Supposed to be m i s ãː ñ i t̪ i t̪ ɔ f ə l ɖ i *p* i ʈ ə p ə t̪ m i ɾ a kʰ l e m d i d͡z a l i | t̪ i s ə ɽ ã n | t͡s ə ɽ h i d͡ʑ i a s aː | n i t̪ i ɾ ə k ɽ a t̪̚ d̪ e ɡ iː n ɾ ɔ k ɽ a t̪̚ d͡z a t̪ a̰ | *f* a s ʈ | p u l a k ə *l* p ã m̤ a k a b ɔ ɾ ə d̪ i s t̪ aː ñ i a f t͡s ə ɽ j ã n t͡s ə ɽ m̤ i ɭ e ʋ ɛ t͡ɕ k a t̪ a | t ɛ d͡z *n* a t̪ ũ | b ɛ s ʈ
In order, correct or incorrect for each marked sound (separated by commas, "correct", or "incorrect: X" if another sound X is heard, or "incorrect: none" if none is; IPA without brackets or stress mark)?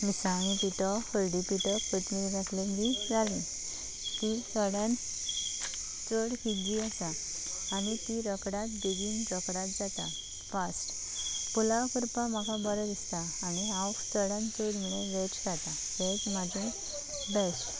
correct, correct, incorrect: ɾ, incorrect: m